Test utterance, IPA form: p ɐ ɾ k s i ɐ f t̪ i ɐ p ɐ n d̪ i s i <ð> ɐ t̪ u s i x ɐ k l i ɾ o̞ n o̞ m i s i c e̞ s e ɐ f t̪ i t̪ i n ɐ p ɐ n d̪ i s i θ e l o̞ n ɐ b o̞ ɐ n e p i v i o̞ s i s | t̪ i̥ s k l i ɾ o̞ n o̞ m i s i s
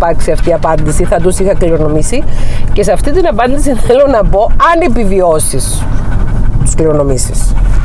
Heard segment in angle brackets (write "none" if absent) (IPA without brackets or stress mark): θ